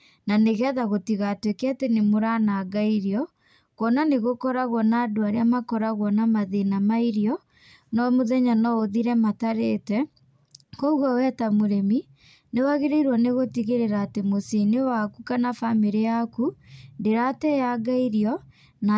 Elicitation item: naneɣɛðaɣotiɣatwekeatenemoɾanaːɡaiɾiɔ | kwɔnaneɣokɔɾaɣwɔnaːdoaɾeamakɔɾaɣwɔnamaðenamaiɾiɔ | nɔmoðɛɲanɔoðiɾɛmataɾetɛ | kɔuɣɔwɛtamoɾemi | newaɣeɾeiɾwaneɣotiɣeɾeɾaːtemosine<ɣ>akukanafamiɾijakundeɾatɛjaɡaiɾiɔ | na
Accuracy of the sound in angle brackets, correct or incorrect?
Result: incorrect